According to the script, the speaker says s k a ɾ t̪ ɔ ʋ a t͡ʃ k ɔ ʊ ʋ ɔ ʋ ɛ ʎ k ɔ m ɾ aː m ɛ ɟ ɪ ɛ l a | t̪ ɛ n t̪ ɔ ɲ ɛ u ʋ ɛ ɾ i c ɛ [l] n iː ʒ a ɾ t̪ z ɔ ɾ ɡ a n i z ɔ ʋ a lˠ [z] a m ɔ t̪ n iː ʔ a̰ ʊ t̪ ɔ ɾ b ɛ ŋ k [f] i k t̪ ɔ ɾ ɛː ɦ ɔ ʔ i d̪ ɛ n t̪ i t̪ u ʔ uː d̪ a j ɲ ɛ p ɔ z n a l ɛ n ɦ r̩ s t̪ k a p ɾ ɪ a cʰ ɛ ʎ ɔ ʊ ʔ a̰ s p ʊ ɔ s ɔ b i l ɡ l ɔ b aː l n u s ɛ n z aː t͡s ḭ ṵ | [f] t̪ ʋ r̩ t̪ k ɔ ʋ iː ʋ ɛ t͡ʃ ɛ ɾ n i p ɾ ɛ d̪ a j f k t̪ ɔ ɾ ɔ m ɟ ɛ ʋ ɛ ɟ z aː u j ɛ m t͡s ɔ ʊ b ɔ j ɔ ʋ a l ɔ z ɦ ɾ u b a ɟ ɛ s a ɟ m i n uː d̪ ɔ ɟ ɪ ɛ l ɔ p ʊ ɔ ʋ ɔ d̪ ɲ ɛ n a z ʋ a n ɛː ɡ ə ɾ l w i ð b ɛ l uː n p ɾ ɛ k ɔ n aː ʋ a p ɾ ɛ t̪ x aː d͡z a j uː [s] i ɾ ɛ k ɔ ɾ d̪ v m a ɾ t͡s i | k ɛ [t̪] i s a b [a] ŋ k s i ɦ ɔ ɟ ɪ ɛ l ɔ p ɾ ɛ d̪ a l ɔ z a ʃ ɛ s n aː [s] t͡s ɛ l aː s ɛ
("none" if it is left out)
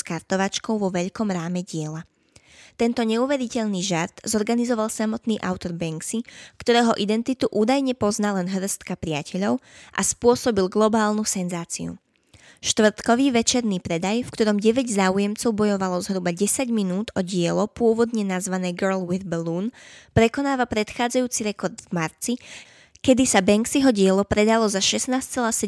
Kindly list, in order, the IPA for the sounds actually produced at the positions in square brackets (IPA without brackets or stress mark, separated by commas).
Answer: ʎ, s, s, ʃ, t͡s, d̪, ɛ, s